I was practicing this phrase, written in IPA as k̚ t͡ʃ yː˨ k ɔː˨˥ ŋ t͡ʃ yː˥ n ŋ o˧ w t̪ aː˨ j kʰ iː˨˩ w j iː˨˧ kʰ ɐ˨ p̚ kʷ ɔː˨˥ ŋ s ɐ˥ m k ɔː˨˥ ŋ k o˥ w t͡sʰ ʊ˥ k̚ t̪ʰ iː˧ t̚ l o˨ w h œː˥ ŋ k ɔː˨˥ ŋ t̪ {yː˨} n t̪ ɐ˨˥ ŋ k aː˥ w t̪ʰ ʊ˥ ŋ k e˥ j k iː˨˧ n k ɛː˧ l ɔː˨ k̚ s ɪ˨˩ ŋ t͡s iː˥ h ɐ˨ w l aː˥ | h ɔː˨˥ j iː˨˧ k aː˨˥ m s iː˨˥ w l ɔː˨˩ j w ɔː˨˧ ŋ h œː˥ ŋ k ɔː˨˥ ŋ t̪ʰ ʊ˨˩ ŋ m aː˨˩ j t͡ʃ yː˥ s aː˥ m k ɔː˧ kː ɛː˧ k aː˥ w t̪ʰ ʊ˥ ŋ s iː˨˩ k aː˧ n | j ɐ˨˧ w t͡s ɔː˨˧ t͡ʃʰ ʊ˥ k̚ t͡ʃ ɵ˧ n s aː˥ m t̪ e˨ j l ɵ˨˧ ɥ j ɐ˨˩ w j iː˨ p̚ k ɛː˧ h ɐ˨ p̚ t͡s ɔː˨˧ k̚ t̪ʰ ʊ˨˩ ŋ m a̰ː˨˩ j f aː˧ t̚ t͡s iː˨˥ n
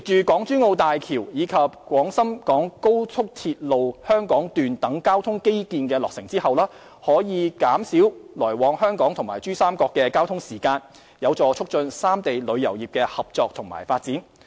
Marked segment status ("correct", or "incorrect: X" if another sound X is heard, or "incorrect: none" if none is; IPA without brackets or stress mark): correct